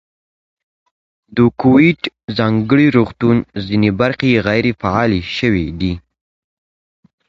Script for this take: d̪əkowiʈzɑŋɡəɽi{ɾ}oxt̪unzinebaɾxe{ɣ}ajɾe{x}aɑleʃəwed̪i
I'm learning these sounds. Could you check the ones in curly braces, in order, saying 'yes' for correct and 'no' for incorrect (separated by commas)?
yes, yes, no